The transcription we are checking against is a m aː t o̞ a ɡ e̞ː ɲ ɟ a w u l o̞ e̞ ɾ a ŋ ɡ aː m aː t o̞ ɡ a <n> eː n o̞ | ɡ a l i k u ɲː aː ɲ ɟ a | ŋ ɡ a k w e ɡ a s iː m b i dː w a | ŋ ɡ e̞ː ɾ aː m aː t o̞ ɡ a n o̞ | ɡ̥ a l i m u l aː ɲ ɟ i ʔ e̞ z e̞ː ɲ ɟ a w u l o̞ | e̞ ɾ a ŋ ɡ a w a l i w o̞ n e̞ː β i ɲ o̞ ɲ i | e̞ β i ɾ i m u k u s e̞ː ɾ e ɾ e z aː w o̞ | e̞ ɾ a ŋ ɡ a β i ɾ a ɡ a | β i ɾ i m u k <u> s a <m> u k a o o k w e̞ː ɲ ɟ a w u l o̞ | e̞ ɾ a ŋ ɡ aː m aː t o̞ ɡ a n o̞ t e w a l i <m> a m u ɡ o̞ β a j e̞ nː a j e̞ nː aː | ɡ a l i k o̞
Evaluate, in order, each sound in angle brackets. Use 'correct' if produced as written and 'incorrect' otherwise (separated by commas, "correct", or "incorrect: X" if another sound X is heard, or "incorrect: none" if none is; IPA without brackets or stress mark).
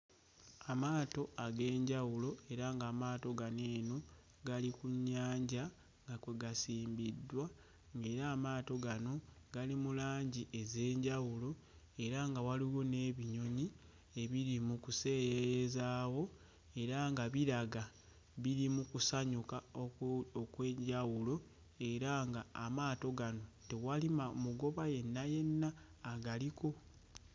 correct, correct, incorrect: ɲ, correct